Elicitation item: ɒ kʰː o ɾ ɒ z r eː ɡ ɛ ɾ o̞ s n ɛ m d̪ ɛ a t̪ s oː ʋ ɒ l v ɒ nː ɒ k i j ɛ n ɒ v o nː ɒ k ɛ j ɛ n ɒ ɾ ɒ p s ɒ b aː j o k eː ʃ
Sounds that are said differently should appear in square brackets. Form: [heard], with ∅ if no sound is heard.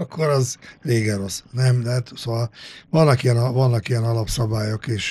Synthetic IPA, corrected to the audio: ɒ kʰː o ɾ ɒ z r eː ɡ ɛ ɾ o̞ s n ɛ m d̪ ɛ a t̪ s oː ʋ ɒ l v ɒ nː ɒ k i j ɛ n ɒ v [ɒ] nː ɒ k [i] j ɛ n ɒ [l] ɒ p s ɒ b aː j o k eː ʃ